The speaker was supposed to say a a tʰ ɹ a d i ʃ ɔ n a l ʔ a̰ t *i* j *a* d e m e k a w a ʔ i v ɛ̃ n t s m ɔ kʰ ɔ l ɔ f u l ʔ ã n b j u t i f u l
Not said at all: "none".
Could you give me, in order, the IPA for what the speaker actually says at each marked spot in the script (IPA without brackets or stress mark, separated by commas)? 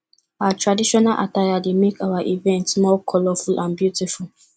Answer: a, a